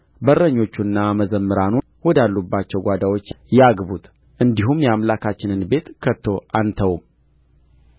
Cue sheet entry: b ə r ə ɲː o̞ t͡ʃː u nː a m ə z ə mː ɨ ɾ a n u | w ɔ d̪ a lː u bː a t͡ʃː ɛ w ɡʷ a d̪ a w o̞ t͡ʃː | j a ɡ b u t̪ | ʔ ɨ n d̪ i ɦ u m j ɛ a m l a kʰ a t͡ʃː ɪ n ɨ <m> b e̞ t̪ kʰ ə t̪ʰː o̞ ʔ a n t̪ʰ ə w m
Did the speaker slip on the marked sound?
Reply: yes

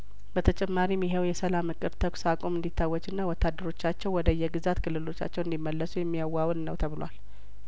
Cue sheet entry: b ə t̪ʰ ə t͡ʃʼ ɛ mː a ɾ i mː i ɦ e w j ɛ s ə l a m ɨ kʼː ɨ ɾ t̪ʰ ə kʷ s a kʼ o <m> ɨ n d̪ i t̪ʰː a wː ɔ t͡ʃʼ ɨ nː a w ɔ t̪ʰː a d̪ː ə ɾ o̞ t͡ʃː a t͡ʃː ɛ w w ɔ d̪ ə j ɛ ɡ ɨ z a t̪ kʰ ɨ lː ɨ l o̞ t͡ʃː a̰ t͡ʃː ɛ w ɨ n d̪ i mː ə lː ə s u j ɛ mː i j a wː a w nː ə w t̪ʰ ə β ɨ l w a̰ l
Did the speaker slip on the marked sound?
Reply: no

